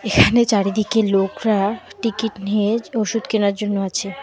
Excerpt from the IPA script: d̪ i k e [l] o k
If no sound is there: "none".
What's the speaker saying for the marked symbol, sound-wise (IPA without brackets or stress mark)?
l